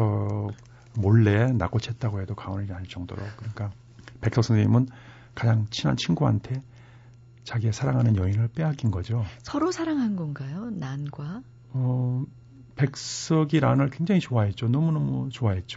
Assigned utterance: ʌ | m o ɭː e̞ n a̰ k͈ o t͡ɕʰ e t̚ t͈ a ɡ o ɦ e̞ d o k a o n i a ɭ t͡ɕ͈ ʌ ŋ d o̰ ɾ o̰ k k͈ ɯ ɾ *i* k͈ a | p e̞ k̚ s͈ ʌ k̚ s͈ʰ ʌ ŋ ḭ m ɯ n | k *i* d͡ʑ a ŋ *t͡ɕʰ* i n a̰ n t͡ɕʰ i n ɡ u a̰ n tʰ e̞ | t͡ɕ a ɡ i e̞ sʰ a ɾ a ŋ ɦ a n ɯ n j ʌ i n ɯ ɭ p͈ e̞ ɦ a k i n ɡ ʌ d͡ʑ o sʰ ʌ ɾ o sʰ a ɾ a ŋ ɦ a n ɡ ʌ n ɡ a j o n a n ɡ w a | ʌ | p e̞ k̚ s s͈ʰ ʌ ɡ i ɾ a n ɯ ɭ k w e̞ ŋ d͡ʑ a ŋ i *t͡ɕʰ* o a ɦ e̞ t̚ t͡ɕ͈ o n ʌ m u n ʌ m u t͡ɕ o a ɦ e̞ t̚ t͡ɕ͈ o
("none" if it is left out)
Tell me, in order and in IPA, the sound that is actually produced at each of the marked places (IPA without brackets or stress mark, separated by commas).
i, a, t͡ɕʰ, t͡ɕ